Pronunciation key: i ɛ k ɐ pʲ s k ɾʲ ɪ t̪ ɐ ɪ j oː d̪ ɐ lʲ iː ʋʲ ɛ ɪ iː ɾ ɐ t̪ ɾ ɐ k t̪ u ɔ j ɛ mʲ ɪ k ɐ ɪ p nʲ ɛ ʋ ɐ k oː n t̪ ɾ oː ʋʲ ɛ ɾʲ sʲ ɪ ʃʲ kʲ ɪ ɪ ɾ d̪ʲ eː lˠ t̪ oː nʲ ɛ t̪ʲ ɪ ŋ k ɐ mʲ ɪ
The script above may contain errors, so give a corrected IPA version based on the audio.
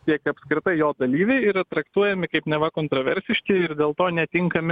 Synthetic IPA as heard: i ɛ k ɐ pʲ s k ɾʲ ɪ t̪ ɐ ɪ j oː d̪ ɐ lʲ iː ʋʲ ɛ ɪ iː ɾ ɐ t̪ ɾ ɐ k t̪ u ɔ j ɛ mʲ ɪ k ɐ ɪ p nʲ ɛ ʋ ɐ k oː n t̪ ɾ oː ʋʲ ɛ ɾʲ sʲ ɪ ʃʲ kʲ ɪ ɪ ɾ d̪ʲ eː lˠ t̪ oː nʲ ɛ t̪ʲ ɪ ŋ k ɐ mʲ ɪ